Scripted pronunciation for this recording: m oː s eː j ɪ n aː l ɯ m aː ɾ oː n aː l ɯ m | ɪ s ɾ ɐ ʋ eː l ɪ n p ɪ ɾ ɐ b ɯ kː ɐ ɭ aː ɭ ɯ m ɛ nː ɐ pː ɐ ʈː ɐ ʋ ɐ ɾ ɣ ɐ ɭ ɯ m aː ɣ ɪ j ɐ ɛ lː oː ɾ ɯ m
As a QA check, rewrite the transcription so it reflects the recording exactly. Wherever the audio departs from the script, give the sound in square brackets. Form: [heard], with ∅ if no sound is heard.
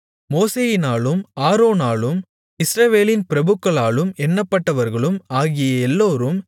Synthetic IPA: m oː s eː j ɪ n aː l ɯ m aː ɾ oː n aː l ɯ m | ɪ s ɾ ɐ ʋ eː l ɪ n p ɪ ɾ ɐ b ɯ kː ɐ ɭ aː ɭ ɯ m ɛ nː ɐ pː ɐ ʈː ɐ ʋ ɐ ɾ ɣ ɐ ɭ ɯ m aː ɣ ɪ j ɐ ɛ lː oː ɾ ɯ m